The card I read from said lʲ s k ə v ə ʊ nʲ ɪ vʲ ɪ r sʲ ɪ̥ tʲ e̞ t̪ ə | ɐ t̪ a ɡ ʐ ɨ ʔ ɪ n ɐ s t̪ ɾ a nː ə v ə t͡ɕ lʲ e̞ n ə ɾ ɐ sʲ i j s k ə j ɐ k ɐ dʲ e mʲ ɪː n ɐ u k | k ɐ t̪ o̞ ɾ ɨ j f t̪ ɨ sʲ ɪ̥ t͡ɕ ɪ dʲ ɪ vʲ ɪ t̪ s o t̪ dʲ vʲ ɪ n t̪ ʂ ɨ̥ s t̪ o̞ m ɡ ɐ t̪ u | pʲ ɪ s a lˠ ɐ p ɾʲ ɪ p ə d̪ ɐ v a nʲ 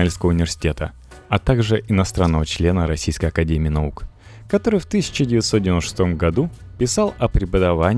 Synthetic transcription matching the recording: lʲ s k ə v ə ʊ nʲ ɪ vʲ ɪ r sʲ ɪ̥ tʲ e̞ t̪ ə | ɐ t̪ a ɡ ʐ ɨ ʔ ɪ n ɐ s t̪ ɾ a nː ə v ə t͡ɕ lʲ e̞ n ə ɾ ɐ sʲ i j s k ə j ɐ k ɐ dʲ e mʲ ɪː n ɐ u k | k ɐ t̪ o̞ ɾ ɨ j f t̪ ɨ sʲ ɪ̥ t͡ɕ ɪ dʲ ɪ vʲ ɪ t̪ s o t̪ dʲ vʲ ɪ n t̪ ʂ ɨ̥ s t̪ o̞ m ɡ ɐ d̪ u | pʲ ɪ s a lˠ ɐ p ɾʲ ɪ p ə d̪ ɐ v a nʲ